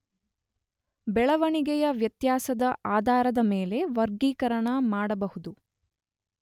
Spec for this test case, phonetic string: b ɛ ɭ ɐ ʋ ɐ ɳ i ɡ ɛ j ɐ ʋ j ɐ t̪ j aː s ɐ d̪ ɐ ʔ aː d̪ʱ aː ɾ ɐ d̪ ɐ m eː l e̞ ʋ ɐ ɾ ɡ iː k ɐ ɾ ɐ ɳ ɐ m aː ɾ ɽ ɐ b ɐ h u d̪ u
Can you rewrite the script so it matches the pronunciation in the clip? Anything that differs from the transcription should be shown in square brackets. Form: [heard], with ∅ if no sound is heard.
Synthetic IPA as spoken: b ɛ ɭ ɐ ʋ ɐ ɳ i ɡ ɛ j ɐ ʋ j ɐ t̪ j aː s ɐ d̪ ɐ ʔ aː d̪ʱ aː ɾ ɐ d̪ ɐ m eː l e̞ ʋ ɐ ɾ ɡ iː k ɐ ɾ ɐ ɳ ɐ m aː [∅] ɽ ɐ b ɐ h u d̪ u